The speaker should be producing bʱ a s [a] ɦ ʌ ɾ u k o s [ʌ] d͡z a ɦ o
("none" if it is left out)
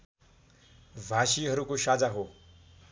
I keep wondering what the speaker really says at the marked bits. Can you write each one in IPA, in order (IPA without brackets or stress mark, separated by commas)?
i, a